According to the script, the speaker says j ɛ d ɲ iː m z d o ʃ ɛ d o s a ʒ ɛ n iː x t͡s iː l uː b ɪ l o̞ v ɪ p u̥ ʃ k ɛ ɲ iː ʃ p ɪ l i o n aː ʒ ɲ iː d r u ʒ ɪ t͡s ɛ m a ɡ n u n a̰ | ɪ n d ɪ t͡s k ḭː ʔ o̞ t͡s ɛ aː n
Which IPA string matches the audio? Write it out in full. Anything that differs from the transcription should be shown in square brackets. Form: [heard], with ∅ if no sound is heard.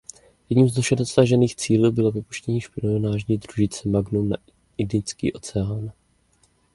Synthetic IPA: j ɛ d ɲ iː m z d o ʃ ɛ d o s a ʒ ɛ n iː x t͡s iː l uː b ɪ l o̞ v ɪ p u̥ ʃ [c] ɛ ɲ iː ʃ p ɪ l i o n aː ʒ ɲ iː d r u ʒ ɪ t͡s ɛ m a ɡ n u n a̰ | ɪ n d ɪ t͡s k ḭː ʔ o̞ t͡s ɛ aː n